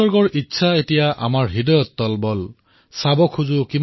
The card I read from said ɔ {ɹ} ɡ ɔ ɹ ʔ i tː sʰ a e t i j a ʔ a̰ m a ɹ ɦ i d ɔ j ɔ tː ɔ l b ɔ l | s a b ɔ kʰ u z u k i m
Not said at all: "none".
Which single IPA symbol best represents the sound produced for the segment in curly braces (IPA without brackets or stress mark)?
ɹ